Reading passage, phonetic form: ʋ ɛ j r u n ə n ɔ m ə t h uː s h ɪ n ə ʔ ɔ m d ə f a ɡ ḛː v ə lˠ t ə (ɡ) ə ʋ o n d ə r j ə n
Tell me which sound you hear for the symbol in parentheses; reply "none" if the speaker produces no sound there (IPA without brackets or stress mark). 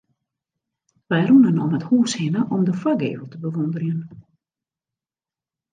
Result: b